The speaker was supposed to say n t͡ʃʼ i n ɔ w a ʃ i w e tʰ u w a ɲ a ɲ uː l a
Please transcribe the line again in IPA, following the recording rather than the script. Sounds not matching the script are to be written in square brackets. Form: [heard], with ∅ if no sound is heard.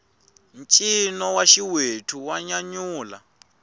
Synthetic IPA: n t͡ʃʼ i n ɔ w a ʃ i w e tʰ u w a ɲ a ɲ uː l a